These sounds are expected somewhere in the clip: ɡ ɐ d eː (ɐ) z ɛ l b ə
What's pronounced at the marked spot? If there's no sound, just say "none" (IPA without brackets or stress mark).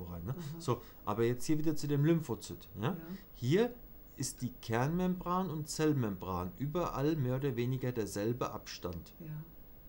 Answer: ɐ